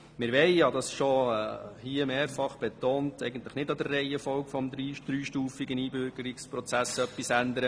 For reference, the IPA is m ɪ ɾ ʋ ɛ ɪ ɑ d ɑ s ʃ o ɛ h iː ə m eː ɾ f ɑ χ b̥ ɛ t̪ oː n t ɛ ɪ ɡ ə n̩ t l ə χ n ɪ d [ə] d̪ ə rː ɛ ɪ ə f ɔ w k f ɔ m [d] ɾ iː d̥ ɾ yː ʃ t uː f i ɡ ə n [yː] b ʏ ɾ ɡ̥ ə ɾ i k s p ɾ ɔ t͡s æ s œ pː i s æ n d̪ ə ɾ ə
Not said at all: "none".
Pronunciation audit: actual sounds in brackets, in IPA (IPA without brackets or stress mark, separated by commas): ɑ, d, iː